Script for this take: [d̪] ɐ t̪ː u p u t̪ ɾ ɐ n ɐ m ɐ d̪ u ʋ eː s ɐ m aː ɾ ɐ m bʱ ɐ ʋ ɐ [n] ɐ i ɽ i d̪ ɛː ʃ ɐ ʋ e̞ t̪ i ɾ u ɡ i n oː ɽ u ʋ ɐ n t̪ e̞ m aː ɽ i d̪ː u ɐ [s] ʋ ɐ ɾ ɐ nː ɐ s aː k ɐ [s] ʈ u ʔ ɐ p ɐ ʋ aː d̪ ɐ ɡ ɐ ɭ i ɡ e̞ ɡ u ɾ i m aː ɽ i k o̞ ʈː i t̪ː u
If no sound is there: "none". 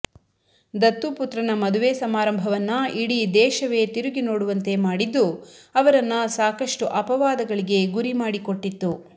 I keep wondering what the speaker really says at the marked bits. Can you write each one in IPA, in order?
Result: d̪, nː, none, ʂ

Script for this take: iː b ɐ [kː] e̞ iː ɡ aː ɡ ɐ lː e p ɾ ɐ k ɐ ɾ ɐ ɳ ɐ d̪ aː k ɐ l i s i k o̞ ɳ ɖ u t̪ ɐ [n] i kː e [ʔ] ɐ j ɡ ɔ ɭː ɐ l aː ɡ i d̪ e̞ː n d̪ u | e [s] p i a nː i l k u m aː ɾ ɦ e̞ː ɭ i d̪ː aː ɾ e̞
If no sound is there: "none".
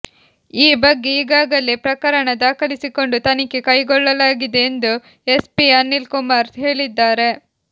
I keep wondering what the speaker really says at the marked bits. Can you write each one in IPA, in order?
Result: ɡː, n, k, s

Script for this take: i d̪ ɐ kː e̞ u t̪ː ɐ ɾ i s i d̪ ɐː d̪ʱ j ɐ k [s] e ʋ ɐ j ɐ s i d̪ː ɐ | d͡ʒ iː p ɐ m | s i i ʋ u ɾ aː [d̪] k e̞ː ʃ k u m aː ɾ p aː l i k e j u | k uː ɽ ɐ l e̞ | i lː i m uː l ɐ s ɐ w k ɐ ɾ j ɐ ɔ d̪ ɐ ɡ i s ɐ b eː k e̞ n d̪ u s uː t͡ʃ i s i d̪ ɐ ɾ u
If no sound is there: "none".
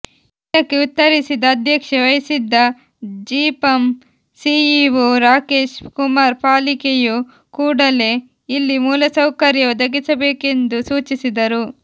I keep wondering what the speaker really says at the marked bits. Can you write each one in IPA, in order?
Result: ʂ, none

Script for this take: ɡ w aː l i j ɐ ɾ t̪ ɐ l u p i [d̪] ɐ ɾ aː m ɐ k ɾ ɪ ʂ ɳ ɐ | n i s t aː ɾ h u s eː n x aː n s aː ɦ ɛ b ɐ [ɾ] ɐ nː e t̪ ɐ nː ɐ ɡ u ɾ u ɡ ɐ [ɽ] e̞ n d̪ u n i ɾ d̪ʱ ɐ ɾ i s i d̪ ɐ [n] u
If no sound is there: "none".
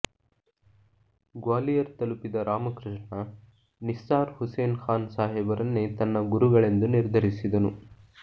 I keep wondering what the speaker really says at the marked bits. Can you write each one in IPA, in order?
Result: d̪, ɾ, ɭ, n

